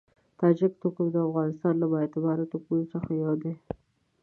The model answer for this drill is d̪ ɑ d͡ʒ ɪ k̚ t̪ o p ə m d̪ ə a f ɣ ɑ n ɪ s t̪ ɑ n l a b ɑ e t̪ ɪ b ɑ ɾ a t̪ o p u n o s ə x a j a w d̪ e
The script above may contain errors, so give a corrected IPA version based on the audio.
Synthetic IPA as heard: t̪ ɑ d͡ʒ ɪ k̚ t̪ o k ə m d̪ ə a f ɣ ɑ n ɪ s t̪ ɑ n l a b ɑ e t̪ ɪ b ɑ ɾ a t̪ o k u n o s ə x a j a w d̪ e